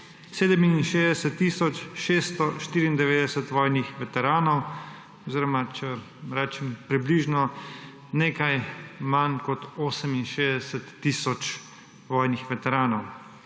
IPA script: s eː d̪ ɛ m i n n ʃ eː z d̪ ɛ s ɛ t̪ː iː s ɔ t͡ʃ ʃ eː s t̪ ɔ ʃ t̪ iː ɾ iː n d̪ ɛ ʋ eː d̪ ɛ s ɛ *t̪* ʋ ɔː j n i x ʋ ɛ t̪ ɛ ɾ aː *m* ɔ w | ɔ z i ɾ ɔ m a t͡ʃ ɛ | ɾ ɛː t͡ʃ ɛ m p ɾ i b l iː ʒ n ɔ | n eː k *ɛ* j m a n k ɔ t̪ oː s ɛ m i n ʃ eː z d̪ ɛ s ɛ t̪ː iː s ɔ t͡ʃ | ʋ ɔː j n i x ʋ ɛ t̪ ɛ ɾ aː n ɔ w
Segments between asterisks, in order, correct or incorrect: correct, incorrect, incorrect

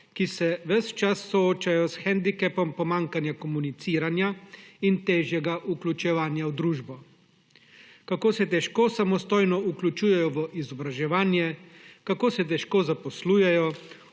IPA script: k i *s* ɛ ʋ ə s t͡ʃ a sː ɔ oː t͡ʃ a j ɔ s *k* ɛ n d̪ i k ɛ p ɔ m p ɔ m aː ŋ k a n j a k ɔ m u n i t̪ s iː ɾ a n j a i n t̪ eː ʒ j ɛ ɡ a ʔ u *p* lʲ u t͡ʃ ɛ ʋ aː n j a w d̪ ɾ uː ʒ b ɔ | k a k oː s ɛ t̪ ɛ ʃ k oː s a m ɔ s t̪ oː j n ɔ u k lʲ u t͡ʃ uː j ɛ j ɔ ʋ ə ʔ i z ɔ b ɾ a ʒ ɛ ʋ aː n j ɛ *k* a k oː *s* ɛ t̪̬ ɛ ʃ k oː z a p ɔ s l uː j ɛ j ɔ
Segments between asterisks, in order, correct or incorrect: correct, incorrect, incorrect, correct, correct

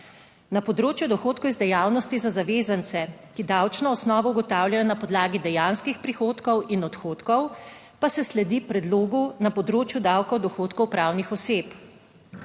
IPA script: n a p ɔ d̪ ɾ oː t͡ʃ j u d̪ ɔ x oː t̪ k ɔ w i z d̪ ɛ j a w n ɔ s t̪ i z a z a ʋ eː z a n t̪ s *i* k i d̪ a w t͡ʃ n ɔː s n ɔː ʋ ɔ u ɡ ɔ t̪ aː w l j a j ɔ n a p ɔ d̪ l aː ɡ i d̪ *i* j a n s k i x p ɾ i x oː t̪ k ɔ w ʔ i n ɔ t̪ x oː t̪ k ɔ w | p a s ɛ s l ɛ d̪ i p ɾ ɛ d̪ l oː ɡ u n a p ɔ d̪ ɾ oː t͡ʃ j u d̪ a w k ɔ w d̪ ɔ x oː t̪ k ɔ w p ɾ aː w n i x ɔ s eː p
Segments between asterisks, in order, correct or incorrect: incorrect, incorrect

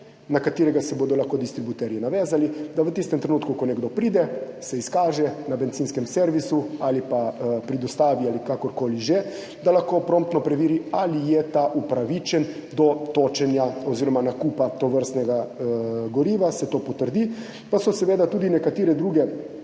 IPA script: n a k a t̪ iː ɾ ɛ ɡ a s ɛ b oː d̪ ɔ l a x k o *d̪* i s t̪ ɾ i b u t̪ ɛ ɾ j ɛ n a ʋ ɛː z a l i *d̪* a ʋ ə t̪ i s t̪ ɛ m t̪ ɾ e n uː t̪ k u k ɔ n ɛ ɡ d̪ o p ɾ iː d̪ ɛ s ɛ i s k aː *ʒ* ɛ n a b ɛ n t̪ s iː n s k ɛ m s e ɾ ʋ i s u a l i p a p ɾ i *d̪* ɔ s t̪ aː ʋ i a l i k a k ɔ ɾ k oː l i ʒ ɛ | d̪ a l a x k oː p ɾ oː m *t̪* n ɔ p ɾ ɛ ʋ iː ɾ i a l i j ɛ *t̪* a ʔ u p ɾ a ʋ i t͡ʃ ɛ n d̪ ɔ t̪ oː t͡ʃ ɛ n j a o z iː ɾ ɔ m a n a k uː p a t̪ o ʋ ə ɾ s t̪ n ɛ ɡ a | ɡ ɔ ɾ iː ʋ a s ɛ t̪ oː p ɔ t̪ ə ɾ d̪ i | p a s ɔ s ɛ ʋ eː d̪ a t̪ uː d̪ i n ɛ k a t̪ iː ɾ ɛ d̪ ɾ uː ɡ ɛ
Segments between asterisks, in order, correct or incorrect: correct, correct, correct, correct, correct, correct

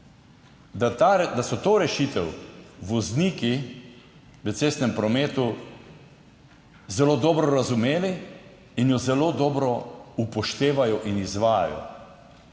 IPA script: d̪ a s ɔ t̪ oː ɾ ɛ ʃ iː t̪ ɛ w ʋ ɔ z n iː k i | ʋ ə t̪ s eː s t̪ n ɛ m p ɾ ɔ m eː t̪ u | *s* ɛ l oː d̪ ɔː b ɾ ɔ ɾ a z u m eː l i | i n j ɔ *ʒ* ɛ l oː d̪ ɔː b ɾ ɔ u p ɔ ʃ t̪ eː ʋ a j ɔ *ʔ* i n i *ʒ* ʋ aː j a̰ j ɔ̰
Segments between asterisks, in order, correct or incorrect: incorrect, incorrect, correct, incorrect

